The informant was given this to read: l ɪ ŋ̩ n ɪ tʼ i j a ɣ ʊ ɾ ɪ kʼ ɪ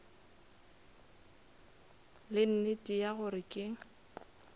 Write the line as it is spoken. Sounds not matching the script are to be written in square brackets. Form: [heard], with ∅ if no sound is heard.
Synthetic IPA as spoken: l ɪ [n̩] n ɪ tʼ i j a ɣ ʊ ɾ ɪ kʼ ɪ